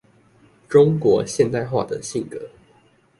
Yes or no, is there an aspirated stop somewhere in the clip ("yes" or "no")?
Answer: no